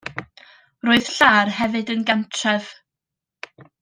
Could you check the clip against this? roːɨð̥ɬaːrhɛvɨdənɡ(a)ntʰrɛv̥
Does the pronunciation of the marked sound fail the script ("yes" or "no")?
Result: no